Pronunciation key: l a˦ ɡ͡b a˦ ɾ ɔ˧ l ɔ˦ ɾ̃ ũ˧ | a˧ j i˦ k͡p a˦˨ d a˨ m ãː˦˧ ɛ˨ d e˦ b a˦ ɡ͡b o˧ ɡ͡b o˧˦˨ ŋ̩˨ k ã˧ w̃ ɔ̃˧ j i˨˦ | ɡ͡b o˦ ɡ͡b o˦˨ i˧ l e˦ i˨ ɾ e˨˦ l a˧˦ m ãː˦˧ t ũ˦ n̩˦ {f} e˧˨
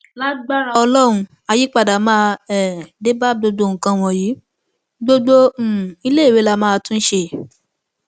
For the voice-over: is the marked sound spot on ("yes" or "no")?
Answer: no